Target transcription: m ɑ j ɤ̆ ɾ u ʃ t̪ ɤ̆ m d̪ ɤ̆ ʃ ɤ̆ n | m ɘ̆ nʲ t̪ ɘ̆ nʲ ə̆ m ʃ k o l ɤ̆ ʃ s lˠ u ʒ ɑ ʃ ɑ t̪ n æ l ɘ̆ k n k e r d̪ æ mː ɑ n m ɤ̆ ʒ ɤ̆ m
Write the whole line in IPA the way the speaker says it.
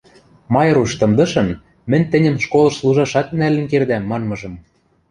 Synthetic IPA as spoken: m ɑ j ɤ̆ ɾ u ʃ t̪ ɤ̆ m d̪ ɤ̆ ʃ ɤ̆ n | m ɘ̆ nʲ t̪ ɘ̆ nʲ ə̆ m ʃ k o l ɤ̆ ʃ s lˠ u ʒ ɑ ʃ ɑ t̪ n æ l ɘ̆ n k e r d̪ æ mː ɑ n m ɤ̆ ʒ ɤ̆ m